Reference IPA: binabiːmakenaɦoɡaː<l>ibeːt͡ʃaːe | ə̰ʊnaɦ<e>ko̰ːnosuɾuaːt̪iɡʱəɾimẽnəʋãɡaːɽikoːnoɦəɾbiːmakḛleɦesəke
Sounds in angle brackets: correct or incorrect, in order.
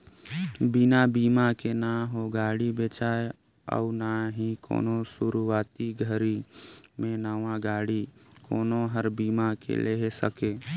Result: incorrect: ɽ, incorrect: i

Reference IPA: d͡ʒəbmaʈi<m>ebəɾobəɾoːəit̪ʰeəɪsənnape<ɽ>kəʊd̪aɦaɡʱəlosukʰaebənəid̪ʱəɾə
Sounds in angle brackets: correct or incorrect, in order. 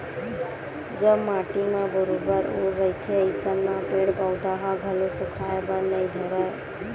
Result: correct, correct

